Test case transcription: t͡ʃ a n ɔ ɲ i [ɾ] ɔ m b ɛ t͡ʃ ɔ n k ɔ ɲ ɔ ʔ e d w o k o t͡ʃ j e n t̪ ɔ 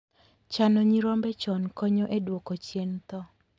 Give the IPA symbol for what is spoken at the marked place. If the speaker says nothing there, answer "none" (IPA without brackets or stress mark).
ɾ